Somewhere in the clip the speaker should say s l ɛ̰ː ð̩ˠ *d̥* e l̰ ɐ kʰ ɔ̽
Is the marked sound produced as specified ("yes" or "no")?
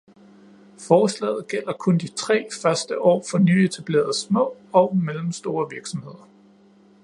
no